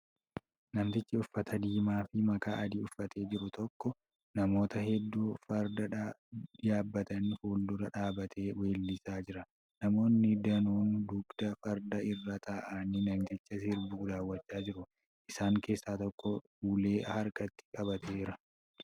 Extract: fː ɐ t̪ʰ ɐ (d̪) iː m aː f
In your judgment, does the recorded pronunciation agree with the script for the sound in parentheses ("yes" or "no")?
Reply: yes